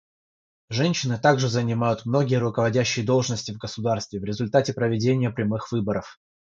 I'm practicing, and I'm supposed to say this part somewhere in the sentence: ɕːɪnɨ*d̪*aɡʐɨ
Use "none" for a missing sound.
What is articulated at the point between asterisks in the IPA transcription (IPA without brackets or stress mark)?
t̪